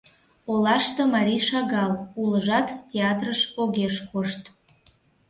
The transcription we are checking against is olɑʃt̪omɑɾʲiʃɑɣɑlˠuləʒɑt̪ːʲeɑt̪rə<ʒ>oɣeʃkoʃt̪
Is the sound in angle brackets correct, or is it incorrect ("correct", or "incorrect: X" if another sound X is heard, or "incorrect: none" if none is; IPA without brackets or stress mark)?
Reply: incorrect: ʃ